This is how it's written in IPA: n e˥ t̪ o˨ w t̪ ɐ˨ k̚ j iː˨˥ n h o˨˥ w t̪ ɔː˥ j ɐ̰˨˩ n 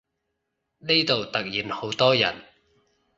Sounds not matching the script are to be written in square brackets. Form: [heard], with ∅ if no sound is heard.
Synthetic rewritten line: n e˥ t̪ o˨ w t̪ ɐ˨ k̚ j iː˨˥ n h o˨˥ w t̪ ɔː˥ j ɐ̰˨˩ n